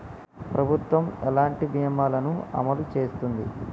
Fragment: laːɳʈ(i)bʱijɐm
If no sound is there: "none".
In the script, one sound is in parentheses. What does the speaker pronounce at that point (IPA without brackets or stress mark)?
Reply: i